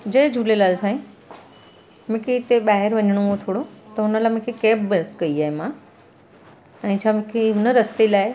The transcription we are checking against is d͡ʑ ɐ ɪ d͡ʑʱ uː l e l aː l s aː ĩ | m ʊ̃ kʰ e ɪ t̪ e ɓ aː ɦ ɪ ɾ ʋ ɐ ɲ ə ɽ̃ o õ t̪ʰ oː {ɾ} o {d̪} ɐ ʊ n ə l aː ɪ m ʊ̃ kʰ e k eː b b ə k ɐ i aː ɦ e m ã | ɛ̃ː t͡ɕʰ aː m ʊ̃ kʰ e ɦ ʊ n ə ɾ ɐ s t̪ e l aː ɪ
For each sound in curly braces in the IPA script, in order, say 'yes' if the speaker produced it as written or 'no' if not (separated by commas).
no, no